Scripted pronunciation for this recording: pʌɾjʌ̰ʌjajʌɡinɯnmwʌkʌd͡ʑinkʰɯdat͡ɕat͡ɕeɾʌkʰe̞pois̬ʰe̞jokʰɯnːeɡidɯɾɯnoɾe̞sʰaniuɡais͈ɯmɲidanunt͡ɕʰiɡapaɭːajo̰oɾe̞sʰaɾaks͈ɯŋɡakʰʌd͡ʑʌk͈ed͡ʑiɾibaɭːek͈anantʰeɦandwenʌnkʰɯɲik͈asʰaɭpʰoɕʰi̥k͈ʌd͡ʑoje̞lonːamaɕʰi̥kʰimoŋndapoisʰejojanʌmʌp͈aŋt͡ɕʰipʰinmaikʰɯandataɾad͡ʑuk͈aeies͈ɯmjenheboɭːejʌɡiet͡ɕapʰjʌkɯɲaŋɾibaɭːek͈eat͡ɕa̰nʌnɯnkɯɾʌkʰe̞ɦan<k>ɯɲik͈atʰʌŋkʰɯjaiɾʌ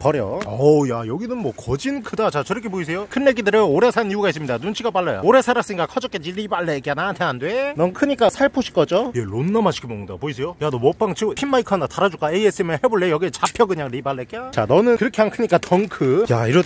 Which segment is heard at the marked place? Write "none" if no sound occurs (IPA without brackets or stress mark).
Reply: kʰ